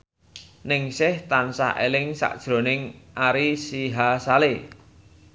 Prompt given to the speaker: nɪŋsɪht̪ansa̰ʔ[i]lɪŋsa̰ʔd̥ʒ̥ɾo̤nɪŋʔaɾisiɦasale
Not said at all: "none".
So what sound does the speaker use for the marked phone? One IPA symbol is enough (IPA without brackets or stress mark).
e